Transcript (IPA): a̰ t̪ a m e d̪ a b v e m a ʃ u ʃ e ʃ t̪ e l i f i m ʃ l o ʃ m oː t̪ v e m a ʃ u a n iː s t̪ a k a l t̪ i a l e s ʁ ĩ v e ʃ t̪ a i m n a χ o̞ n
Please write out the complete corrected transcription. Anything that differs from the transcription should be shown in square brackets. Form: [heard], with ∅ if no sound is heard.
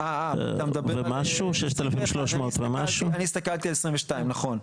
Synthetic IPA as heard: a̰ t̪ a m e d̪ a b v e m a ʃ u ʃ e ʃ t̪ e l [a] f i m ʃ l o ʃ m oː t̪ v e m a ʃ u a n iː s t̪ a k a l t̪ i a l e s ʁ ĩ v e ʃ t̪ a i m n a χ o̞ n